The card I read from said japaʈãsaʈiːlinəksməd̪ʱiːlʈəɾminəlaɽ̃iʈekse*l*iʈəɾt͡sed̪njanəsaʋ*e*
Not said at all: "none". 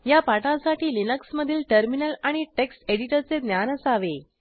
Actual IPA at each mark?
ɽ, e

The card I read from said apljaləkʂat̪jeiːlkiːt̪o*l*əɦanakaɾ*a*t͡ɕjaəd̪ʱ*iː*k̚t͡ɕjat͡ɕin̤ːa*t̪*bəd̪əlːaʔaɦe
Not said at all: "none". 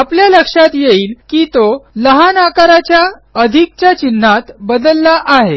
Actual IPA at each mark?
l, a, i, t̪

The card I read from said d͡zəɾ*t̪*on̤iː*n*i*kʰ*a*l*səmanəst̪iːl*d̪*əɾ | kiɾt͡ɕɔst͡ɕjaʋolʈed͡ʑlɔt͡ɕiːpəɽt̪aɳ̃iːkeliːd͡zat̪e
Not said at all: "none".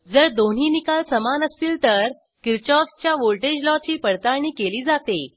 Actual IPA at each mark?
d̪, n, k, l, t̪

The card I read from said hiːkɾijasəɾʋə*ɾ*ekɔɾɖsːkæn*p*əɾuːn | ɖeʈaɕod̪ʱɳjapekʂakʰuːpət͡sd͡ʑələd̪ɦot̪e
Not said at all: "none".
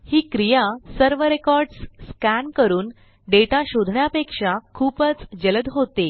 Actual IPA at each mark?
ɾ, k

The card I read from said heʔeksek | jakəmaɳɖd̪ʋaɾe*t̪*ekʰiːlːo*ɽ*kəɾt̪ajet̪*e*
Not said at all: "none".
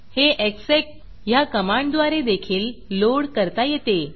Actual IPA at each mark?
d̪, ɽ, e

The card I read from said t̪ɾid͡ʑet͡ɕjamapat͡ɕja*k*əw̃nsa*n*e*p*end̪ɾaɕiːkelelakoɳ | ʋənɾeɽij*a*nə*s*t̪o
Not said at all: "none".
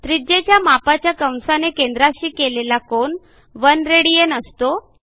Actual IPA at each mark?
k, n, k, e, s

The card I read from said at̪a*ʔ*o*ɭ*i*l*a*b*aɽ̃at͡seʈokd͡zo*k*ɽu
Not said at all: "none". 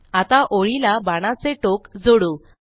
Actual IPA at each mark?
ʔ, ɭ, l, b, none

